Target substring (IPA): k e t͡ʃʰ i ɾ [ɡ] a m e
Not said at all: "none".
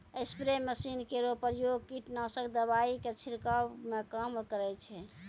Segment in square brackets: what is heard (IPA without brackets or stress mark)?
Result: k